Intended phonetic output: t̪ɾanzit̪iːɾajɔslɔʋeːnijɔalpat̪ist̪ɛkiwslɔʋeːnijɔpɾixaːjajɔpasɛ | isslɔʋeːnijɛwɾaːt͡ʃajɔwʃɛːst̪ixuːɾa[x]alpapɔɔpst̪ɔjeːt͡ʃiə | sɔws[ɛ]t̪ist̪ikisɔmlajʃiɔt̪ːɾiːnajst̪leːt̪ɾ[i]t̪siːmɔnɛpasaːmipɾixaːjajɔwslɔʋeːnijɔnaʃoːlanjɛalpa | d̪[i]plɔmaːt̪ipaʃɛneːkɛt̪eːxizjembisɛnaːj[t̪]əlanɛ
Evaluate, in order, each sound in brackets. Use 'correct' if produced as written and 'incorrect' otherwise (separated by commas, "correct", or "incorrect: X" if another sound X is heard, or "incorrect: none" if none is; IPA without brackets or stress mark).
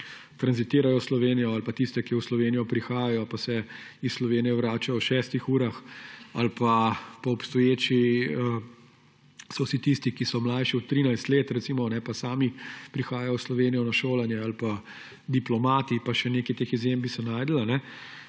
correct, incorrect: i, incorrect: ɛ, correct, incorrect: d̪